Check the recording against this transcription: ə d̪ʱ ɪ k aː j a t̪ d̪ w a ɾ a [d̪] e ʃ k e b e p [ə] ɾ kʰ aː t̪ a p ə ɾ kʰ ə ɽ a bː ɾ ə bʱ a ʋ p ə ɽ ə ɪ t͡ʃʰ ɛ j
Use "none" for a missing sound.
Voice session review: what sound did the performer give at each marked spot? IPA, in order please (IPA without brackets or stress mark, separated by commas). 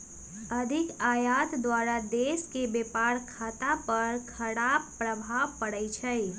d̪, a